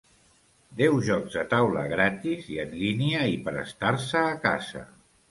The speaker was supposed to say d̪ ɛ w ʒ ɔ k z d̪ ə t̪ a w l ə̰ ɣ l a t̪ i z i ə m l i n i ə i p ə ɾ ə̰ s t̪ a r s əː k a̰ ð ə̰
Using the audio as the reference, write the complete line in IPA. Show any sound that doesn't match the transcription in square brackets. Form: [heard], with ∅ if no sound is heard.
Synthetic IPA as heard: d̪ ɛ w ʒ ɔ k z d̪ ə t̪ a w l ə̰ ɣ [ɾ] a t̪ i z i ə [n] l i n i ə i p ə ɾ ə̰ s t̪ a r s əː k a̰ [z] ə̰